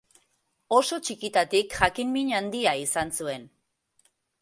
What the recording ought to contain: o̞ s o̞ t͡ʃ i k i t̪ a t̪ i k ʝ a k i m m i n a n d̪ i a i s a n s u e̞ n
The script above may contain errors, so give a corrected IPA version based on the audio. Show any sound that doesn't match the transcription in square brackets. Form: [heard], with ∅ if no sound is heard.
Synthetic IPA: o̞ s o̞ t͡ʃ i k i t̪ a t̪ i k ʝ a k i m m i [ɲ] a n d̪ i a i s a n s u e̞ n